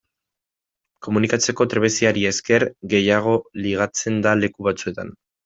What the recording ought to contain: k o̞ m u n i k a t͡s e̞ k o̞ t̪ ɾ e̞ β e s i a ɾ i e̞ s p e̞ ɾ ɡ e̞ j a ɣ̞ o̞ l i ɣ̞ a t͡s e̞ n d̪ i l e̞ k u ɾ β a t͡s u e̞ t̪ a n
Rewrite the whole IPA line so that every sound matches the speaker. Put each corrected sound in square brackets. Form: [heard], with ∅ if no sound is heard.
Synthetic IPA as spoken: k o̞ m u n i k a t͡s e̞ k o̞ t̪ ɾ e̞ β e s i a ɾ i e̞ s [k] e̞ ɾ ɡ e̞ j a ɣ̞ o̞ l i ɣ̞ a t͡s e̞ n d̪ [a] l e̞ k u [∅] β a t͡s u e̞ t̪ a n